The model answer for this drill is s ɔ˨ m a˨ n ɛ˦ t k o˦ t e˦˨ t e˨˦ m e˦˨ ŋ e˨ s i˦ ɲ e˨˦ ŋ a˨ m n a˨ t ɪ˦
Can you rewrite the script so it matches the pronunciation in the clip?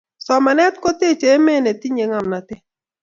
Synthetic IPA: s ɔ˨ m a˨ n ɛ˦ t k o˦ t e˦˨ t͡ʃ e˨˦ m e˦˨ n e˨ t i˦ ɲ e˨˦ ŋ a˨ m n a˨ t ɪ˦